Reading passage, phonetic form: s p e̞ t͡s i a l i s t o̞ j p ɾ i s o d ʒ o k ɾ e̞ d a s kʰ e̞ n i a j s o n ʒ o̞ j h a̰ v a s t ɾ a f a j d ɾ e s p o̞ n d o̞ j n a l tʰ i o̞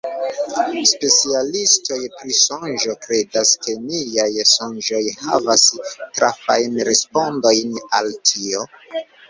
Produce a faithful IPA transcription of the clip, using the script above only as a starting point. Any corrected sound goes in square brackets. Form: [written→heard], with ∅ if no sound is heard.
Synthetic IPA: s p e̞ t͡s i a l i s t o̞ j p ɾ i s o [d→n] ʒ o k ɾ e̞ d a s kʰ e̞ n i a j s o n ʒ o̞ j h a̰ v a s t ɾ a f a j [d→n] ɾ e s p o̞ n d o̞ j n a l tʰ i o̞